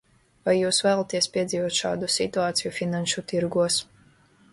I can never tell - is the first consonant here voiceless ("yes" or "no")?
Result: no